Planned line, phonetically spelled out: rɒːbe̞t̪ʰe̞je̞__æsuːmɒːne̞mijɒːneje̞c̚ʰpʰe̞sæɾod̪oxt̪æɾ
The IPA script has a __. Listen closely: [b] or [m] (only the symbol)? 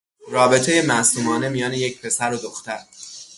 m